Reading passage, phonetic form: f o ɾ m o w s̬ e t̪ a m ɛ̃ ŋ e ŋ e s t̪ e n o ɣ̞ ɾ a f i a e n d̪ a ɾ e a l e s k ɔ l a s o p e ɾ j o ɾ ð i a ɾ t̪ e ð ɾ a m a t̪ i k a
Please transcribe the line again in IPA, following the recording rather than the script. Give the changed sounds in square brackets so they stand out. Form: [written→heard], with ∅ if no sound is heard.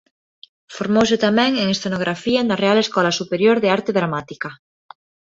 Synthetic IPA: f o ɾ m o w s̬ e t̪ a m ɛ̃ ŋ e ŋ e s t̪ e n o ɣ̞ ɾ a f i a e n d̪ a [ɾ→r] e a l e s k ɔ l a s [o→u] p e ɾ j o ɾ ð [i→e] a ɾ t̪ e ð ɾ a m a t̪ i k a